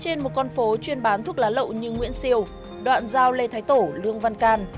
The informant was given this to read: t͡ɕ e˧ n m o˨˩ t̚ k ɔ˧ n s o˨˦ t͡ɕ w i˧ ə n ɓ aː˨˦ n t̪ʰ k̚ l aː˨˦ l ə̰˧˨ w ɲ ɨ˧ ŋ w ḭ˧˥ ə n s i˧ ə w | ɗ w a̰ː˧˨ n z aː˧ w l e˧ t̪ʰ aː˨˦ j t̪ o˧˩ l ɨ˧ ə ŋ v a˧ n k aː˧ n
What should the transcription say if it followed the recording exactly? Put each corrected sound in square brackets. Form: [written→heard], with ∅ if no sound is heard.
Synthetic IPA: t͡ɕ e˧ n m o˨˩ t̚ k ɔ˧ n [s→f] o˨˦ t͡ɕ w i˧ ə n ɓ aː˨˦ n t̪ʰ k̚ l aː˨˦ l ə̰˧˨ w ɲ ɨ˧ ŋ w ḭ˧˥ ə n s i˧ ə w | ɗ w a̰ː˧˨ n z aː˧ w l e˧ t̪ʰ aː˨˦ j t̪ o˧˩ l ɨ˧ ə ŋ v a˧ n k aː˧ n

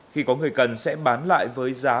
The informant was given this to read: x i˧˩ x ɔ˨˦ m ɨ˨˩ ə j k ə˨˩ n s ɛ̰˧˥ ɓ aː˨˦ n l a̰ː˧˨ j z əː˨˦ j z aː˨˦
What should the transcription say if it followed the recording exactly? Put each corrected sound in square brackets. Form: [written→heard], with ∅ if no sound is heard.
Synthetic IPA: x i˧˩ [x→k] ɔ˨˦ [m→ŋ] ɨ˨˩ ə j k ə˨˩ n s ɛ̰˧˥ ɓ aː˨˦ n l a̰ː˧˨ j [z→v] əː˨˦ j z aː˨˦

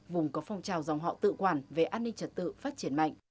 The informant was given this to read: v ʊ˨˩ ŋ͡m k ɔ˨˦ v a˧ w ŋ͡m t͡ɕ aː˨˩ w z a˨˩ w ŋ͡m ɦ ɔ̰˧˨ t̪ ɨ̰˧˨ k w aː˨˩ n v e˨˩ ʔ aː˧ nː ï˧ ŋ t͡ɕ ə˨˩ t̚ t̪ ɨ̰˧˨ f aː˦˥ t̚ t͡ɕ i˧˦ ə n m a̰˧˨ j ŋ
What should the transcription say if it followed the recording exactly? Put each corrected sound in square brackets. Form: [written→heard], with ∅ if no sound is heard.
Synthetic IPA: v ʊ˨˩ ŋ͡m k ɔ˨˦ [v→f] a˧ w ŋ͡m t͡ɕ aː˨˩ w z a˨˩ w ŋ͡m ɦ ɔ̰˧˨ t̪ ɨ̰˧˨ k w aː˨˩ n v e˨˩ ʔ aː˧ nː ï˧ ŋ t͡ɕ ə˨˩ t̚ t̪ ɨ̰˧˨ f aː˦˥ t̚ t͡ɕ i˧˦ ə n m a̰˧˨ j ŋ

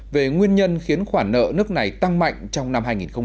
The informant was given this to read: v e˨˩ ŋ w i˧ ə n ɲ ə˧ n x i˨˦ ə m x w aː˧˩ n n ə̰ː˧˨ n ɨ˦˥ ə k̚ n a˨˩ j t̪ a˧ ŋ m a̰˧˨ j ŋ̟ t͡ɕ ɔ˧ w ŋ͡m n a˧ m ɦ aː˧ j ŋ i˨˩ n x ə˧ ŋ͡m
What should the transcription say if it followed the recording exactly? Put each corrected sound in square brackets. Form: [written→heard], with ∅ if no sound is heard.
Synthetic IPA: v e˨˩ ŋ w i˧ ə n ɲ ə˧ n x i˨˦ ə [m→n] x w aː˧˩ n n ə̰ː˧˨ n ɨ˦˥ ə k̚ n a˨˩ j t̪ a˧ ŋ m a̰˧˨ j ŋ̟ t͡ɕ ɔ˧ w ŋ͡m n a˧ m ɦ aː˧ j ŋ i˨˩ n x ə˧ ŋ͡m

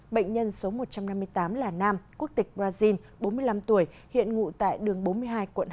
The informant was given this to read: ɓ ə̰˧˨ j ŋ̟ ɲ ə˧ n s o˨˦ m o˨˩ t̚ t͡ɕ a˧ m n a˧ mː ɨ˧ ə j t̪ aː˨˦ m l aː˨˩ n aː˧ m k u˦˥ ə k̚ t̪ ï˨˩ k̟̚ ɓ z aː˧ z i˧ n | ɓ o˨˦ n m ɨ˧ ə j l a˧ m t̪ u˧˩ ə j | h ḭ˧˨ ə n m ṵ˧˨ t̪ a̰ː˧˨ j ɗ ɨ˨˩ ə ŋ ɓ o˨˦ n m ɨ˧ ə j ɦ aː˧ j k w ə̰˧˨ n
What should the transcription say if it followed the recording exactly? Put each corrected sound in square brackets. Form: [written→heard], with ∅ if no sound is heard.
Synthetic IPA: ɓ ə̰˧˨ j ŋ̟ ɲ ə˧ n s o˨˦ m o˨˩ t̚ t͡ɕ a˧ m n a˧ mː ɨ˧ ə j t̪ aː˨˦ m l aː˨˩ n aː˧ m k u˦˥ ə k̚ t̪ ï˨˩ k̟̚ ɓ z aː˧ z i˧ n | ɓ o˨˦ n m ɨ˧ ə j l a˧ m t̪ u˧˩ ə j | h ḭ˧˨ ə n [m→ŋ] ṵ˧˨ t̪ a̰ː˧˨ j ɗ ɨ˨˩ ə ŋ ɓ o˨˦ n m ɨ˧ ə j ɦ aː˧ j k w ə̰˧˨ n

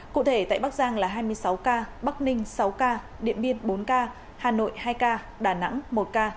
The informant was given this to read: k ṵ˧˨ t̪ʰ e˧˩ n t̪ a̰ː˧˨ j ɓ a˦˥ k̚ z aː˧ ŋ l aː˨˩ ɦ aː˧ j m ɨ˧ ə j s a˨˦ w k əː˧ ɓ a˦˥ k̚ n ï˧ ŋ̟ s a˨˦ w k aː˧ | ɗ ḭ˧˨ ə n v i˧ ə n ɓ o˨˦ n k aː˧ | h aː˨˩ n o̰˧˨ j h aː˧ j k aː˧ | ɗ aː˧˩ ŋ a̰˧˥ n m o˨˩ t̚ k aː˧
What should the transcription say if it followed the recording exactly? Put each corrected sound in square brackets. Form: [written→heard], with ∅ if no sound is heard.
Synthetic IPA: k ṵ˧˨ t̪ʰ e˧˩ [n→∅] t̪ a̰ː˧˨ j ɓ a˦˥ k̚ z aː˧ ŋ l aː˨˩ ɦ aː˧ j m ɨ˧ ə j s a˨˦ w k [əː˧→aː˧] ɓ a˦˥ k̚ n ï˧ ŋ̟ s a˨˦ w k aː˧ | ɗ ḭ˧˨ ə n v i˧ ə n ɓ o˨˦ n k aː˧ | h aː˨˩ n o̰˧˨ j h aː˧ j k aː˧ | ɗ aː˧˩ [ŋ→n] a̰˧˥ [n→ŋ] m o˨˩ t̚ k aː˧

